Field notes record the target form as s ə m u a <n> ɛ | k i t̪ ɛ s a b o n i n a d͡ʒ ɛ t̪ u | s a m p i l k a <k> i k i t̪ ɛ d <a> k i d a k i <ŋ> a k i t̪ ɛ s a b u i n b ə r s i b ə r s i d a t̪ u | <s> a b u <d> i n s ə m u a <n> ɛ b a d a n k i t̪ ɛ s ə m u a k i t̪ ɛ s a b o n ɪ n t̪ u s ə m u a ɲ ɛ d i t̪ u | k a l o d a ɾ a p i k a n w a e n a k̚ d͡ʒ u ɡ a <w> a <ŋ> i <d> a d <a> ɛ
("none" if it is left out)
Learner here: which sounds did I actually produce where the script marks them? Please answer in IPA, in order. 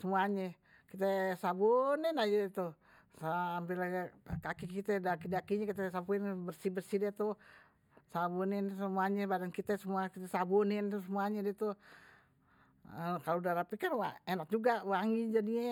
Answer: ɲ, k, a, ɲ, s, n, ɲ, w, ŋ, d͡ʒ, i

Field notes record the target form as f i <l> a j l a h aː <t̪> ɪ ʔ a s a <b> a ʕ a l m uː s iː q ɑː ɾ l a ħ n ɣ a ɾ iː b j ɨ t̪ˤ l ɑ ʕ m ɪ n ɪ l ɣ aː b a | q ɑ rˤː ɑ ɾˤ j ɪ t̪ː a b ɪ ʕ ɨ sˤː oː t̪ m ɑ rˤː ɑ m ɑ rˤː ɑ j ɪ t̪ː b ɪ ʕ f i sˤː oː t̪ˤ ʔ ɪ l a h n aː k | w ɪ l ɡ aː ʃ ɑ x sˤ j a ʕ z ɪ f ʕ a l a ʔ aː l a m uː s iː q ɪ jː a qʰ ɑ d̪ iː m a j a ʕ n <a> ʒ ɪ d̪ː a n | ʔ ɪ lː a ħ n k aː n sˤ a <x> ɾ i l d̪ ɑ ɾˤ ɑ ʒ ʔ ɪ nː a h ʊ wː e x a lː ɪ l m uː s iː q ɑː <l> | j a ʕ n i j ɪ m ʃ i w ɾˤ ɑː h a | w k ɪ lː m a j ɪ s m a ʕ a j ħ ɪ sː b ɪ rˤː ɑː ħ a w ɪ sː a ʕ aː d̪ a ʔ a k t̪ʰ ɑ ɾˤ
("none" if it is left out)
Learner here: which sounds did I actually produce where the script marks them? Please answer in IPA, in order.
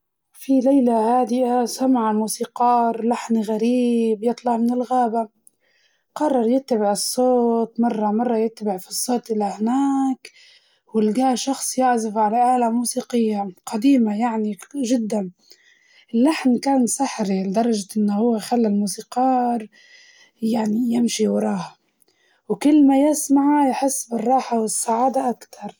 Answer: l, d̪, m, i, ħ, ɾ

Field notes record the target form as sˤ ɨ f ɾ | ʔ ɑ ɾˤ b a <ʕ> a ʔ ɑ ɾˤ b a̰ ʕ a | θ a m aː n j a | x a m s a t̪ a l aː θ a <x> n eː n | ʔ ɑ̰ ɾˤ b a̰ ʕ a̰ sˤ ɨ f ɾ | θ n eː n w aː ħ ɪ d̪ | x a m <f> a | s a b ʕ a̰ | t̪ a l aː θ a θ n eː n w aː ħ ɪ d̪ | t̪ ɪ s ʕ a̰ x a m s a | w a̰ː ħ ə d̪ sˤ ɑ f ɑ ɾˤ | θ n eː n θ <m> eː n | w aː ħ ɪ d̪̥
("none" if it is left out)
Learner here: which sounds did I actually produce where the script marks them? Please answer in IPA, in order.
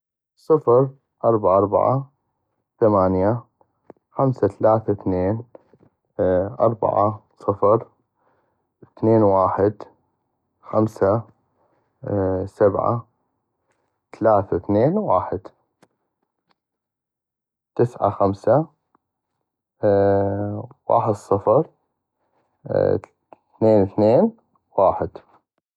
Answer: ʕ, θ, s, n

